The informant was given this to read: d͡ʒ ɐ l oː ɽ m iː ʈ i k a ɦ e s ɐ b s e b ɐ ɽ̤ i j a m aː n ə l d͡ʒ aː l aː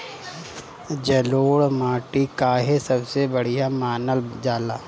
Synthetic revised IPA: d͡ʒ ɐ l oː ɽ m aː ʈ i k a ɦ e s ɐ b s e b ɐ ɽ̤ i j a m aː n ə l d͡ʒ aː l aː